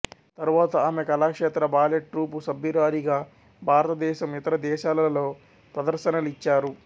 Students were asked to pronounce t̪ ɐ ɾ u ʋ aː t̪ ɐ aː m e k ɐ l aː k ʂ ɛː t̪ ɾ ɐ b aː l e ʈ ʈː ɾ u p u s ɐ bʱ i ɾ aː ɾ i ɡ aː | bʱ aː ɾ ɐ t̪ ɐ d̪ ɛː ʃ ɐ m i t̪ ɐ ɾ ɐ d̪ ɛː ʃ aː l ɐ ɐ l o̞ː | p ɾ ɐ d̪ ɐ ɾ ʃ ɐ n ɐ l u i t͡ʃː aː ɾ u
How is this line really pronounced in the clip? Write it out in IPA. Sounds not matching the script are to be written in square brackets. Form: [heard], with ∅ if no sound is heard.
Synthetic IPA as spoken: t̪ ɐ ɾ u ʋ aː t̪ ɐ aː m e k ɐ l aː k ʂ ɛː t̪ ɾ ɐ b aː l e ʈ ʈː ɾ [uː] p u s ɐ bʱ i ɾ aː ɾ i ɡ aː | bʱ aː ɾ ɐ t̪ ɐ d̪ ɛː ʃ ɐ m i t̪ ɐ ɾ ɐ d̪ ɛː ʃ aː l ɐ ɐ l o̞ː | p ɾ ɐ d̪ ɐ ɾ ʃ ɐ n ɐ l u i t͡ʃː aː ɾ u